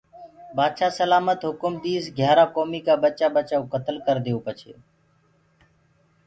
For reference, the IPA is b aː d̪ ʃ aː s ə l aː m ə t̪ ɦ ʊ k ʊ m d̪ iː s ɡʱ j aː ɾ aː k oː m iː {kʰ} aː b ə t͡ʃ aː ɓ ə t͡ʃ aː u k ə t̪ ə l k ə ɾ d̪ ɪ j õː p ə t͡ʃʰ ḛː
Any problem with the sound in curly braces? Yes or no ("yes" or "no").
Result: yes